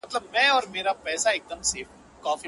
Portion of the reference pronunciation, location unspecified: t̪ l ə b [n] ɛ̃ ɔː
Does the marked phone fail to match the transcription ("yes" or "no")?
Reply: yes